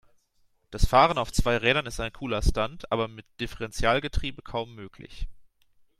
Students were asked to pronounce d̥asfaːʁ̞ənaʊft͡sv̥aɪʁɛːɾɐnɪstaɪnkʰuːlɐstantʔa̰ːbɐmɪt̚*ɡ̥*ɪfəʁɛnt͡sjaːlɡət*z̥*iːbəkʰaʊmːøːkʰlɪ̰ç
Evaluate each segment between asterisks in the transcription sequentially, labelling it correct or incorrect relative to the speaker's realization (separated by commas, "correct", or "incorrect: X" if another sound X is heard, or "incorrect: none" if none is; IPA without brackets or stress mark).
incorrect: d̥, incorrect: ʁ̥